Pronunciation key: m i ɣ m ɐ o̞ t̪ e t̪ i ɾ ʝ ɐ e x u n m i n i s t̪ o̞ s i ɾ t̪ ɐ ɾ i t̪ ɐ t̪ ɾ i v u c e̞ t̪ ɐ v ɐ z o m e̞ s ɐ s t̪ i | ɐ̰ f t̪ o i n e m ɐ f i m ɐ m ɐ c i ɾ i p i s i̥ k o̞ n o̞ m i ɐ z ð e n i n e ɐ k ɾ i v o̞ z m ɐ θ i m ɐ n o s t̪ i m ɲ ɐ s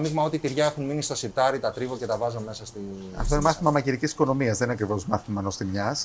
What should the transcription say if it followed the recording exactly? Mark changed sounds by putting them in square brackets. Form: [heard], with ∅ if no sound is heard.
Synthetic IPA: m i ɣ m ɐ o̞ t̪ [i] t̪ i ɾ ʝ ɐ e x u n m i n i s t̪ o̞ s i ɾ t̪ ɐ ɾ i t̪ ɐ t̪ ɾ i v [o] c e̞ t̪ ɐ v ɐ z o m e̞ s ɐ s t̪ i | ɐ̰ f t̪ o i n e m ɐ [θ] i m ɐ m ɐ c i ɾ i [c] i s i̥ k o̞ n o̞ m i ɐ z ð e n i n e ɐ k ɾ i v o̞ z m ɐ θ i m ɐ n o s t̪ i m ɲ ɐ s